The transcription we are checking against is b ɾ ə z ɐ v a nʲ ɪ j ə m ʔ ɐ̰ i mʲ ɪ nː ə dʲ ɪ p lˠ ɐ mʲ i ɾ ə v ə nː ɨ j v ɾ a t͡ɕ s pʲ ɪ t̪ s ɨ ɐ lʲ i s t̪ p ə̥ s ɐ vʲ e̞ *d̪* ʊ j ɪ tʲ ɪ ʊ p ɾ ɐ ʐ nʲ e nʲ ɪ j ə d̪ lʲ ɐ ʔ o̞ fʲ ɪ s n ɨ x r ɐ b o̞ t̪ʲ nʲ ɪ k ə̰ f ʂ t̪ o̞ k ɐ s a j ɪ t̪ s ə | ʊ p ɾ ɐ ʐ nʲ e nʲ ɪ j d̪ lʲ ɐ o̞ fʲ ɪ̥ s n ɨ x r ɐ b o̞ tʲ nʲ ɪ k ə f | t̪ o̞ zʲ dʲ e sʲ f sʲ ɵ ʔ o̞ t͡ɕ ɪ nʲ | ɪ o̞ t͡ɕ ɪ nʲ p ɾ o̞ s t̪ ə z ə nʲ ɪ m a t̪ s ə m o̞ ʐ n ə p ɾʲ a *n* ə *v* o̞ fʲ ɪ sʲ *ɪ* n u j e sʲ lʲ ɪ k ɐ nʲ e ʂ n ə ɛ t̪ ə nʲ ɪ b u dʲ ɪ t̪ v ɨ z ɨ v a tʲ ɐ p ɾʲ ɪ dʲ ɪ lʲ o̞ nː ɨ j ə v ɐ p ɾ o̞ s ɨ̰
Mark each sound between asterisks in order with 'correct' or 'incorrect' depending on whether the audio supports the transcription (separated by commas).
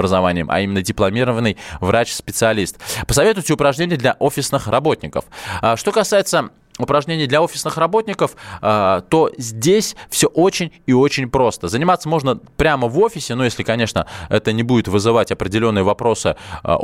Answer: incorrect, incorrect, correct, correct